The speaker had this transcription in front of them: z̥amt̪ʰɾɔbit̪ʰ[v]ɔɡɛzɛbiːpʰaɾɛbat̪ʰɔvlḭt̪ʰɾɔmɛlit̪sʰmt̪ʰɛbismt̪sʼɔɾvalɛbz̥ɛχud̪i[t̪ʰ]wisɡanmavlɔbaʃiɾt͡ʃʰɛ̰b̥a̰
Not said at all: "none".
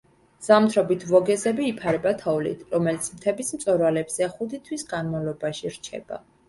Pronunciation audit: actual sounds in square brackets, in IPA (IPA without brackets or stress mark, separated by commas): v, t̪ʰ